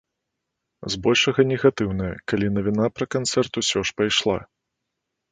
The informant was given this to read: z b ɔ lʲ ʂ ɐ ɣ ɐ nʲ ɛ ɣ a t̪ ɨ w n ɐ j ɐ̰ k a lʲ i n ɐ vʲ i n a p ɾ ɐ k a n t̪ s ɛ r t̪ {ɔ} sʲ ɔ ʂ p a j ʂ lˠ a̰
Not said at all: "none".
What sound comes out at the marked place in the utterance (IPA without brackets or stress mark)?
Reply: u